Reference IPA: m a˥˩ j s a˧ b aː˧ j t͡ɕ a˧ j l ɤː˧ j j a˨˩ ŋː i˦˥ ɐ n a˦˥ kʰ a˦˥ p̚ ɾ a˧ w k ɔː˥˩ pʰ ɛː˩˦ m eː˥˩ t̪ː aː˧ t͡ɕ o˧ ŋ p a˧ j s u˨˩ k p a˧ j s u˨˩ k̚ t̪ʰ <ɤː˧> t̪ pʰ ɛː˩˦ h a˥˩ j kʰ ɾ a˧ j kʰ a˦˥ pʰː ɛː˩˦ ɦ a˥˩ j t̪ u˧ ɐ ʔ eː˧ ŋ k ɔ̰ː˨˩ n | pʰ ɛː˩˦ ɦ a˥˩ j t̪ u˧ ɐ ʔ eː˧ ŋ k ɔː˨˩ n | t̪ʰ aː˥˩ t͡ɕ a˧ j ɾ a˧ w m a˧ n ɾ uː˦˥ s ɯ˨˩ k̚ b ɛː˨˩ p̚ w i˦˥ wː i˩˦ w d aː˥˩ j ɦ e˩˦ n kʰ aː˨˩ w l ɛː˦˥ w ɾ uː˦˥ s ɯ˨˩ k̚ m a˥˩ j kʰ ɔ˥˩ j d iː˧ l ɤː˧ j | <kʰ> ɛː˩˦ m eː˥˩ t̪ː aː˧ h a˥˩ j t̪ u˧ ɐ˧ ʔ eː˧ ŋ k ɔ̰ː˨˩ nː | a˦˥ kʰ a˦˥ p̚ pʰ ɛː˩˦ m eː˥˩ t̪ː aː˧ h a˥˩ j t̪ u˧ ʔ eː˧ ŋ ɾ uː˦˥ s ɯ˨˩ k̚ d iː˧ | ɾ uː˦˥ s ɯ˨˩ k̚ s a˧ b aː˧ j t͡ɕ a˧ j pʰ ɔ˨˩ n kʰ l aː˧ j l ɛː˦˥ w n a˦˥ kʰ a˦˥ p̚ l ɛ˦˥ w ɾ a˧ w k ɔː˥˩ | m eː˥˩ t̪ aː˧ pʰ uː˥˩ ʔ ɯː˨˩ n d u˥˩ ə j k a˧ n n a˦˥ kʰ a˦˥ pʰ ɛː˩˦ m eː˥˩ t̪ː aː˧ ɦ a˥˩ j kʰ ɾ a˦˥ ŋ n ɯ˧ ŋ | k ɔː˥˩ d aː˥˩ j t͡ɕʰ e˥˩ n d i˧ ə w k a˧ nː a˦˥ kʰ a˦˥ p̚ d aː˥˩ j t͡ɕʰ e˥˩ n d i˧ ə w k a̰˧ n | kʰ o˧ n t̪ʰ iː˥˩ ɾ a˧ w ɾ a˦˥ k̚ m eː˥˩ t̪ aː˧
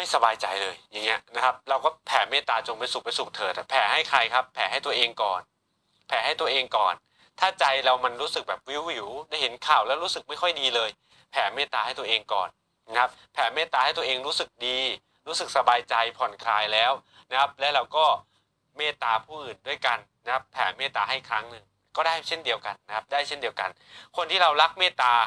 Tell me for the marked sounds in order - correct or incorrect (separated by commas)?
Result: incorrect, incorrect